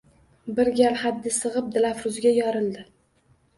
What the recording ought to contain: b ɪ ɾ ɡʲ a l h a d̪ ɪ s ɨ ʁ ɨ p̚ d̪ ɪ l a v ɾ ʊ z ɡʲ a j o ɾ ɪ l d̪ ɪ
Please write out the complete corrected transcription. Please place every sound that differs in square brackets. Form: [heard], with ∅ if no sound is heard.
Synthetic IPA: b ɪ ɾ ɡʲ a l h a [d̪ː] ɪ s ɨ ʁ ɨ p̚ d̪ ɪ l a [f] ɾ ʊ z ɡʲ a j [ɒ] ɾ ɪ l d̪ ɪ